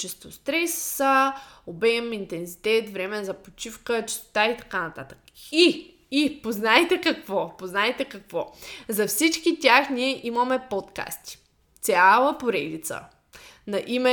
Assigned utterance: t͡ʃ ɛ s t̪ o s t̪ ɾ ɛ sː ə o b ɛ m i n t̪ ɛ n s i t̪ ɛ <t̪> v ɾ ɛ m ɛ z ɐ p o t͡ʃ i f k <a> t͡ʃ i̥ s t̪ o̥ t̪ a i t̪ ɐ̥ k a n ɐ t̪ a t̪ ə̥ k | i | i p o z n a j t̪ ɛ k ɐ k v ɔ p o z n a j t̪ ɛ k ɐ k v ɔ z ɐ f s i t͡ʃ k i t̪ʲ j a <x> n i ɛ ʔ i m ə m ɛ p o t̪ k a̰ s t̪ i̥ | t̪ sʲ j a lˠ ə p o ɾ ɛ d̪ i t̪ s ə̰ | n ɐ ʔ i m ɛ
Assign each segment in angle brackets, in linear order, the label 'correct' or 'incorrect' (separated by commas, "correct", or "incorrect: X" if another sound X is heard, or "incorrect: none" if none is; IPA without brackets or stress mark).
correct, incorrect: ə, correct